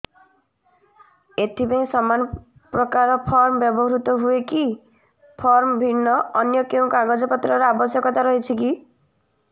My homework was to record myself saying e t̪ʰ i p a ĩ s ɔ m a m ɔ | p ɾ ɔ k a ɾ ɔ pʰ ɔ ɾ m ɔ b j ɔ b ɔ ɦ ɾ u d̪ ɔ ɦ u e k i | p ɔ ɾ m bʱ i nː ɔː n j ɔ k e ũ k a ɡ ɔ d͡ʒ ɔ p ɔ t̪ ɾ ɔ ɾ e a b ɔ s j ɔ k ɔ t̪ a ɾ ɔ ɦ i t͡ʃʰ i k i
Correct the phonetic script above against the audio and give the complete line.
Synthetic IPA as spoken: e t̪ʰ i p a ĩ s ɔ m a n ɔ | p ɾ ɔ k a ɾ ɔ pʰ ɔ ɾ m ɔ b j ɔ b ɔ ɦ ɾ u t̪ ɔ ɦ u e k i | pʰ ɔ ɾ m bʱ i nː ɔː n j ɔ k e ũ k a ɡ ɔ d͡ʒ ɔ p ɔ t̪ ɾ ɔ ɾ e a b ɔ s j ɔ k ɔ t̪ a ɾ ɔ ɦ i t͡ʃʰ i k i